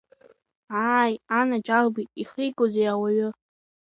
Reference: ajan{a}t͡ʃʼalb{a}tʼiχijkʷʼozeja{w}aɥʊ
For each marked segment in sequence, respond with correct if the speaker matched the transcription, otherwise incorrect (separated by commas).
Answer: correct, incorrect, correct